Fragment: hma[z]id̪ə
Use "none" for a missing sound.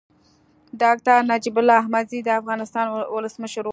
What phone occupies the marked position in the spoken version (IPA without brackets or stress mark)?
z